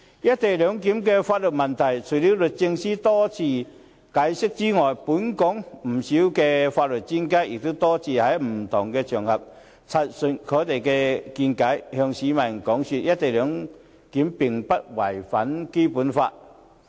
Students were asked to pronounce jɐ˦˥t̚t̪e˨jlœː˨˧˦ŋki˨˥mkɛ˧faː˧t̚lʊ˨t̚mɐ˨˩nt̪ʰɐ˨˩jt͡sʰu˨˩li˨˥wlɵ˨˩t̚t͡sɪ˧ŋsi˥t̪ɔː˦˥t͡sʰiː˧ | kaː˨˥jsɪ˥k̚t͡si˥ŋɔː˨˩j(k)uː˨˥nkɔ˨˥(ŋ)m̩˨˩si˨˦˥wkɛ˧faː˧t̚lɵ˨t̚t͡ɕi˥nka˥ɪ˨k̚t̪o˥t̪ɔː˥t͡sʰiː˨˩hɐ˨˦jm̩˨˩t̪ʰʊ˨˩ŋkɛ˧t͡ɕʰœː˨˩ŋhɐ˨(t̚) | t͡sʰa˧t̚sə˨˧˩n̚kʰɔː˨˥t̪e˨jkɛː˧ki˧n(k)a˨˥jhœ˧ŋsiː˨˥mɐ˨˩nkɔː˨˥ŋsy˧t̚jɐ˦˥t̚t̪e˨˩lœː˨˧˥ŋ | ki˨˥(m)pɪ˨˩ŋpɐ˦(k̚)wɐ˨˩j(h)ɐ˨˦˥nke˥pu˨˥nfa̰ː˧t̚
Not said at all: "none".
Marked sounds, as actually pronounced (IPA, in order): p, ŋ, p̚, k, m, t̚, f

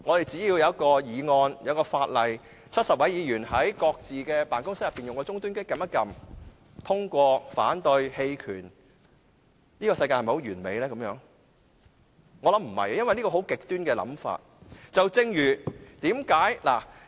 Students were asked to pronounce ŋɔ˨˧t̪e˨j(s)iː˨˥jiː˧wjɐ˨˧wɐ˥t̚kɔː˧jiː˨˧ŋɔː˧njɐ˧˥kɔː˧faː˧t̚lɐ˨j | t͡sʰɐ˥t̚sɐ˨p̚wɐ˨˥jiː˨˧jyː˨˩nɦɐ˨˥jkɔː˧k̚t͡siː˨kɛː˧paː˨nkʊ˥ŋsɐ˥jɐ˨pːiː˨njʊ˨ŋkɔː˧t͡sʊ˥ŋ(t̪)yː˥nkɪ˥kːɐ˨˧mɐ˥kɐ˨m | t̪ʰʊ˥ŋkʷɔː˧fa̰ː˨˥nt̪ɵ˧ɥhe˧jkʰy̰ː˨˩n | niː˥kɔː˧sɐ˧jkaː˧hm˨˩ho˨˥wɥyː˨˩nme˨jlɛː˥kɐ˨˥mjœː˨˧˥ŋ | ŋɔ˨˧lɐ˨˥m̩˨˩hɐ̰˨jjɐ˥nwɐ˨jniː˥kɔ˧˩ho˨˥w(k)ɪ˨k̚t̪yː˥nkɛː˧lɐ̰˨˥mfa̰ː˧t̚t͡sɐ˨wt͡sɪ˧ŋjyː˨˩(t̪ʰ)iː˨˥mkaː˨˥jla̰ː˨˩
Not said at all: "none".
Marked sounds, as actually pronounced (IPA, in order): t͡s, t̪, k, t̪

